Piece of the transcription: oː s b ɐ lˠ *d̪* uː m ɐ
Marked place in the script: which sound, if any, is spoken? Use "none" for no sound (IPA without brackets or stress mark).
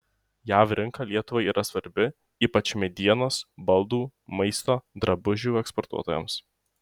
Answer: d̪